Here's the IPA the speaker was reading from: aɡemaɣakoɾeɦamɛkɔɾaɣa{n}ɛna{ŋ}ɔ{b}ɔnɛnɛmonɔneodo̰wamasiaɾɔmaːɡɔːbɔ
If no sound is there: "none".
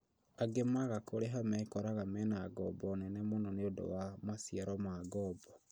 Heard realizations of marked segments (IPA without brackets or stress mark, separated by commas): m, ɡ, b